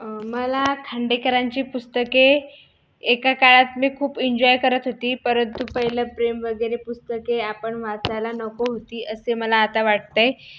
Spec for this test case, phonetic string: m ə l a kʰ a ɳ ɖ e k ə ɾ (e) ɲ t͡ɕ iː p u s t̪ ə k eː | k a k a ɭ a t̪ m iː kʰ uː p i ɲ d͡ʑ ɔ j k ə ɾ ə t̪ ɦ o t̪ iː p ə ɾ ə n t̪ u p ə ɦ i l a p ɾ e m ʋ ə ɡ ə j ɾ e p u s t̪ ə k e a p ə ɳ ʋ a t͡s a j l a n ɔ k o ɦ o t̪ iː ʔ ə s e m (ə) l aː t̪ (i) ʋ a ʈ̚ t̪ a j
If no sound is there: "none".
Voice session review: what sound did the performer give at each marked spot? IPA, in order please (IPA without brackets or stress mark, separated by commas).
a, ə, a